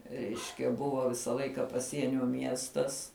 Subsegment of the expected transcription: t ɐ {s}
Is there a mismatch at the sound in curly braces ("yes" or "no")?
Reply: no